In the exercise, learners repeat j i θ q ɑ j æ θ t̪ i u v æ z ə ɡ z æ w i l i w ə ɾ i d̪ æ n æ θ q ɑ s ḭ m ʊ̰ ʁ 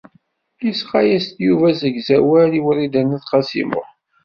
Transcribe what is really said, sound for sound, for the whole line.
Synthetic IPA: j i s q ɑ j æ s t̪ j u v æ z ə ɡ z æ w æ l i w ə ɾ i d̪ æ n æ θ q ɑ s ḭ m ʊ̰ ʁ